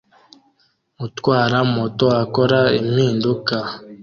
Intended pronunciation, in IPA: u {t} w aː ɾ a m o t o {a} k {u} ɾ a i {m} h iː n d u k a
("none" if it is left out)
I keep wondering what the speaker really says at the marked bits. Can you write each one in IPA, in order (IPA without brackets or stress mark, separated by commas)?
t, a, o, m